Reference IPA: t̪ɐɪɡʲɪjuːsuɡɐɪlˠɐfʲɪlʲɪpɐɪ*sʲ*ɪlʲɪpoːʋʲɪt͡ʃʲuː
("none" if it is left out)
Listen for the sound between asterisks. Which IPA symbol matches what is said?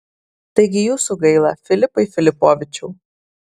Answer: fʲ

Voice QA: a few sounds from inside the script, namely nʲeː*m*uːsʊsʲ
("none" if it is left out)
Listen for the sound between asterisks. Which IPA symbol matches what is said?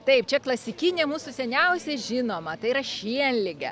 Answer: m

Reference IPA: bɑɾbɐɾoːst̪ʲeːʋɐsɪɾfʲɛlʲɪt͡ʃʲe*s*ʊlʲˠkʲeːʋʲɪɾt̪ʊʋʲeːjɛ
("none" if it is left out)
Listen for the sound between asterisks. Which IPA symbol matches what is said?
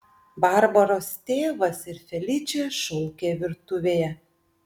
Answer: ʃ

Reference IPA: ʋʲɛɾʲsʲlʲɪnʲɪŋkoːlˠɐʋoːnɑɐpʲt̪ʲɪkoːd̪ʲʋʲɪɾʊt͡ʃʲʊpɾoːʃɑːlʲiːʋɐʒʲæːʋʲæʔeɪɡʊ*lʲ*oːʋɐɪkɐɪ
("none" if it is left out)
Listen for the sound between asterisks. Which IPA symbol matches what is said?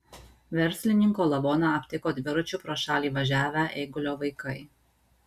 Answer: lʲ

